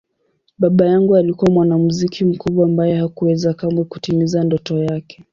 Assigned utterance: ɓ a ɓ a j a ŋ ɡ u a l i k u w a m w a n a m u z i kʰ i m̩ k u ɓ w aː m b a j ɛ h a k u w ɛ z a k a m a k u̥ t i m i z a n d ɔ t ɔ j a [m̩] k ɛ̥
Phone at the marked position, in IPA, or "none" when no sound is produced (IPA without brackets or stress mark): none